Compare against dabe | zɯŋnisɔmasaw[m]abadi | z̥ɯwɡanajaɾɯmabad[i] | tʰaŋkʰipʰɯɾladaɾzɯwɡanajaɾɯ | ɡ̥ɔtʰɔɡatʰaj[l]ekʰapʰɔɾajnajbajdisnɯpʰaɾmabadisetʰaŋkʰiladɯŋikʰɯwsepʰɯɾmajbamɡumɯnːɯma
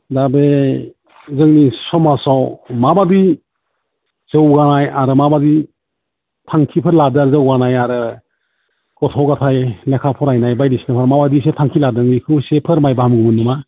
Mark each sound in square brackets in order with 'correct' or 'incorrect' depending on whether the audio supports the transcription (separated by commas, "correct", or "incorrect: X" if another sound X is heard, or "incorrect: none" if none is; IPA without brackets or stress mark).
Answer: correct, correct, correct